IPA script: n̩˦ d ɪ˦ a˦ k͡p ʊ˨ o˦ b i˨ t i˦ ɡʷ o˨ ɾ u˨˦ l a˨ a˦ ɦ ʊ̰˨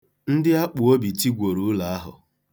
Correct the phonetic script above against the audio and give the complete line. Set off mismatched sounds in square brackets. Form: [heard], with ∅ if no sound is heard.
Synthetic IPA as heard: n̩˦ d ɪ˦ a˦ k͡p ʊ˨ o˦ b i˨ t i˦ ɡʷ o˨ ɾ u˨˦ l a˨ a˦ ɦ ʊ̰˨